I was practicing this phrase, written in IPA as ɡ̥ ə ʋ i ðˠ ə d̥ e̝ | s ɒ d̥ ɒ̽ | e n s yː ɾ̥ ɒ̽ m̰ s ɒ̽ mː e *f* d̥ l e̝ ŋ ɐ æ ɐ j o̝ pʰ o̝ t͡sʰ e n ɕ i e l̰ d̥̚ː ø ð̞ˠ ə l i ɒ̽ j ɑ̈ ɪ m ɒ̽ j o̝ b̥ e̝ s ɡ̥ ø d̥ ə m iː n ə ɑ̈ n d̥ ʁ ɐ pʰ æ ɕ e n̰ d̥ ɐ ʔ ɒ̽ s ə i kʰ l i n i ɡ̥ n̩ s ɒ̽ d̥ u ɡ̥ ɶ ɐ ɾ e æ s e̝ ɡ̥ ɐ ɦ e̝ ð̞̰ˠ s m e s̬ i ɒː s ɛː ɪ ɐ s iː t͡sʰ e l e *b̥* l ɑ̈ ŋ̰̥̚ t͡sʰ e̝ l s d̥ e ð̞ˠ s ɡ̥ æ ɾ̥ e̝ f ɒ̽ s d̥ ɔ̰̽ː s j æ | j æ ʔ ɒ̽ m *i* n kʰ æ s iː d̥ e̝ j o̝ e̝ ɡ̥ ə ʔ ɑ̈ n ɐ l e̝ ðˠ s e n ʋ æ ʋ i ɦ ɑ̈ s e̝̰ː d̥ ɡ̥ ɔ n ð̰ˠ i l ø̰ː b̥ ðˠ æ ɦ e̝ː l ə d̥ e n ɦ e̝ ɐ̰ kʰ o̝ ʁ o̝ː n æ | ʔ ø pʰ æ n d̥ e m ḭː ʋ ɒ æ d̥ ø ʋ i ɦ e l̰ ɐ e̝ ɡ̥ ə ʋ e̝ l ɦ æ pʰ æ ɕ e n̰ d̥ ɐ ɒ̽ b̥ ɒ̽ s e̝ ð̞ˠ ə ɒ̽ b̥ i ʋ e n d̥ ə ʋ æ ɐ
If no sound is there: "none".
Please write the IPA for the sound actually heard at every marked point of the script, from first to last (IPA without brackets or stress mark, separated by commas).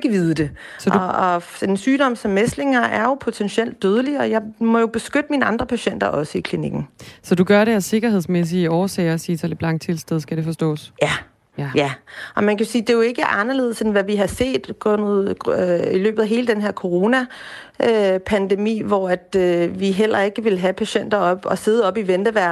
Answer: s, b̥, æ